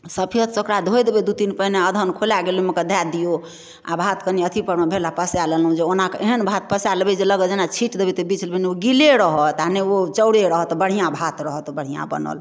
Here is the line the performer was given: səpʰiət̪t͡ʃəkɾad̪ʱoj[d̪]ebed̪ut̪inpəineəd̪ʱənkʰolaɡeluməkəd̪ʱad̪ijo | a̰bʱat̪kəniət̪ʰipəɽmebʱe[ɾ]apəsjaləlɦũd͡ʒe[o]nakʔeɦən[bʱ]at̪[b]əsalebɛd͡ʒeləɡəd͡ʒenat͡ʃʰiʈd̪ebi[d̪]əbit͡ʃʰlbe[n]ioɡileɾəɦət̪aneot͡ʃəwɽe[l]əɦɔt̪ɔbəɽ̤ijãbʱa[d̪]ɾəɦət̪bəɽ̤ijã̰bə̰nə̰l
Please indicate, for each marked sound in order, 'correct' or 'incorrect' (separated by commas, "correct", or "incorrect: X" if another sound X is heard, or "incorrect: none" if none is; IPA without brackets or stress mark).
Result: correct, incorrect: l, correct, correct, incorrect: p, incorrect: t̪, correct, incorrect: ɾ, incorrect: t̪